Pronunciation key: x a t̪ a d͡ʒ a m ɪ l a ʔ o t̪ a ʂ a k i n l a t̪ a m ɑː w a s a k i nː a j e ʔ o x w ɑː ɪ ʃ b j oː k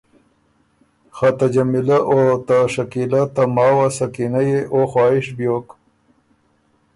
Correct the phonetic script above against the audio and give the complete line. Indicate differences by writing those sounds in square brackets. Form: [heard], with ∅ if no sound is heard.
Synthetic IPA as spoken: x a t̪ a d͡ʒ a m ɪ l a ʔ o t̪ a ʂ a k i [∅] l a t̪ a m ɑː w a s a k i [n] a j e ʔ o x w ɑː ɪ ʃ b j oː k